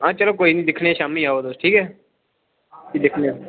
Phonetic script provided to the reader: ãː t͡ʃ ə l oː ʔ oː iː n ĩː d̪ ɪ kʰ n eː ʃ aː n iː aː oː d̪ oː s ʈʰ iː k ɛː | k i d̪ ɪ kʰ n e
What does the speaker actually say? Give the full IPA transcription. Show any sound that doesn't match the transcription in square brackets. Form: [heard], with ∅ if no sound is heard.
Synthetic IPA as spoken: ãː t͡ʃ ə l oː [k] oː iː n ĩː d̪ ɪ kʰ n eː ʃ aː [m] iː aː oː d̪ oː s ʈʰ iː k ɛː | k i d̪ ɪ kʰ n e